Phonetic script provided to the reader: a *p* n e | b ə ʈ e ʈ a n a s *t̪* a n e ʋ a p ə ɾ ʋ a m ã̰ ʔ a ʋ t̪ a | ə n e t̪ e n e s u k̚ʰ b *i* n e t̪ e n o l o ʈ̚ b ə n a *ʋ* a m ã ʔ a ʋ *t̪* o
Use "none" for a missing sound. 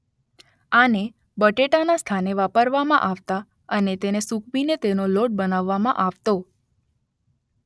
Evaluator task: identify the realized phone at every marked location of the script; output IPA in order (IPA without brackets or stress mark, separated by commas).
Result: none, t̪ʰ, i, ʋː, t̪